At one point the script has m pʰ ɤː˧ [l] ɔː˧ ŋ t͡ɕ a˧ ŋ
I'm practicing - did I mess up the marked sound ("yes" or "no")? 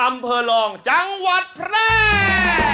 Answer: no